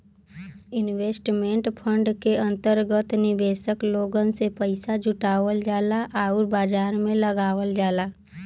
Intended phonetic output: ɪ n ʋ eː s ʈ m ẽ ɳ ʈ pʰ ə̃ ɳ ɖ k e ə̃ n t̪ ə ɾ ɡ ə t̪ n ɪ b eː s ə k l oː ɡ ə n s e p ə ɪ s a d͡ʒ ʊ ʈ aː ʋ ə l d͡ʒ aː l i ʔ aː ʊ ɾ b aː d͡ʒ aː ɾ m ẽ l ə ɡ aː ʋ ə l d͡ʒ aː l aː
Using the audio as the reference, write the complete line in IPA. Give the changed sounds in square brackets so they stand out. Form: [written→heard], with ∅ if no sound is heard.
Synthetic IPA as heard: ɪ n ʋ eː s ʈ m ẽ ɳ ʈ pʰ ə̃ ɳ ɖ k e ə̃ n t̪ ə ɾ ɡ ə t̪ n ɪ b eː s ə k l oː ɡ ə n s e p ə ɪ s a d͡ʒ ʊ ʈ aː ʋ ə l d͡ʒ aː l [i→a] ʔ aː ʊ ɾ b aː d͡ʒ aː ɾ m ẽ l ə ɡ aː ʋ ə l d͡ʒ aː l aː